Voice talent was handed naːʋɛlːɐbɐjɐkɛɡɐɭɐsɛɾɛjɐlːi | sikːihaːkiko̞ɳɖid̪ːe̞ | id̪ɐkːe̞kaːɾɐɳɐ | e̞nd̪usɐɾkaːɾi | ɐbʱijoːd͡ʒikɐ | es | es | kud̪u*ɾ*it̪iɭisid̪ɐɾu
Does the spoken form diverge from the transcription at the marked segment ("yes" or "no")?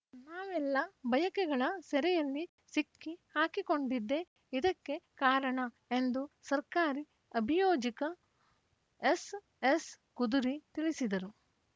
no